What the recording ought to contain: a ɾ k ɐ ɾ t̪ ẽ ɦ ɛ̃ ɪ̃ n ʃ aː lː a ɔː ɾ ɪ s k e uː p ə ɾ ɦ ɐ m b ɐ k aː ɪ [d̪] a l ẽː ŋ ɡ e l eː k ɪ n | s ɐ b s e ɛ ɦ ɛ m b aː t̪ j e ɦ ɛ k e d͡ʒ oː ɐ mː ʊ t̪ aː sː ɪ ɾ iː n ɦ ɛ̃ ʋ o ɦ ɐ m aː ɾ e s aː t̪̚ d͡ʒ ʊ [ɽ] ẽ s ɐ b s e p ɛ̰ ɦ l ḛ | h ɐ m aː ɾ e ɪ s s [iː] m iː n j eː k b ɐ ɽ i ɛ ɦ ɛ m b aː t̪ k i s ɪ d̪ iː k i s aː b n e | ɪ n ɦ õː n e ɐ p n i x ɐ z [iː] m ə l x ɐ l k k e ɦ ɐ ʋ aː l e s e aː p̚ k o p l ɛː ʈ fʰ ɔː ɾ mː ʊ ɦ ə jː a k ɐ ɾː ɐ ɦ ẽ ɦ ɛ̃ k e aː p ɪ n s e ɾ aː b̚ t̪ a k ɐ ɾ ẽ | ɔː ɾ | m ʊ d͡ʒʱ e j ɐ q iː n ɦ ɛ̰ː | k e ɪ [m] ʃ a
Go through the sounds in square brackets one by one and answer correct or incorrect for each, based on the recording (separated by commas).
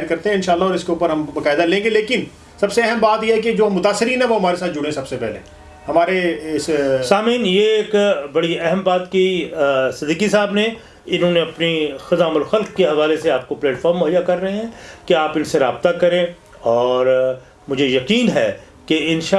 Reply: correct, correct, incorrect, incorrect, incorrect